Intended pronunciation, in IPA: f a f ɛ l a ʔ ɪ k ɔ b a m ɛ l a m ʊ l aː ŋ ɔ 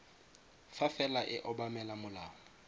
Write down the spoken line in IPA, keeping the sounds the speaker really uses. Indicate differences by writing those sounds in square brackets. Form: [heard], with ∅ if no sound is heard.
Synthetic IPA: f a f ɛ l a ʔ ɪ [ʔ] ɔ b a m ɛ l a m ʊ l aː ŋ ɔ